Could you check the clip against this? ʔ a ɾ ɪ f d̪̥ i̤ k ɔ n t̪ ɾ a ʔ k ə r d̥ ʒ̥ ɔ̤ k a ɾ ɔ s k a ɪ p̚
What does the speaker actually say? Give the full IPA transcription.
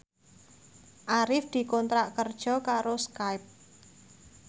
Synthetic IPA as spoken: ʔ a ɾ ɪ f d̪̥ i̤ k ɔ n t̪ ɾ a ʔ k ə r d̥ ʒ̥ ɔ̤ k a ɾ o s k a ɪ p̚